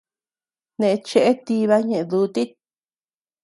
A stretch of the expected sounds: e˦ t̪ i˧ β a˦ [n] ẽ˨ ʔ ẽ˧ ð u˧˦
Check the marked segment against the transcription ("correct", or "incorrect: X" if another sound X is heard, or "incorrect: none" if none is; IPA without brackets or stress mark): incorrect: ɲ